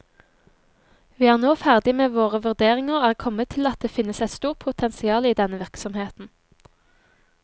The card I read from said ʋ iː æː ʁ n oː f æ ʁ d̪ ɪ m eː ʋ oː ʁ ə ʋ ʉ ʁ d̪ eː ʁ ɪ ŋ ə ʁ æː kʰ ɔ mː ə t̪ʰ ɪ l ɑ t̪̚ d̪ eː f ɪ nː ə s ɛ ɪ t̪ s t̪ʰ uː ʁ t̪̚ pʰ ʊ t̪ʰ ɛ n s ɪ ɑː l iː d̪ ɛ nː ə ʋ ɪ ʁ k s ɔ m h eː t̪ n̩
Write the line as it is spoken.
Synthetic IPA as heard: ʋ iː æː ʁ n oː f æ ʁ d̪ ɪ m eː ʋ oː ʁ ə ʋ ʉ ʁ d̪ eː ʁ ɪ ŋ ə ʁ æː kʰ ɔ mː ə t̪ʰ ɪ l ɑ t̪̚ d̪ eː f ɪ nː ə s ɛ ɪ t̪ s t̪ uː ʁ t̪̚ pʰ ʊ t̪ʰ ɛ n s ɪ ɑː l iː d̪ ɛ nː ə ʋ ɪ ʁ k s ɔ m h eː t̪ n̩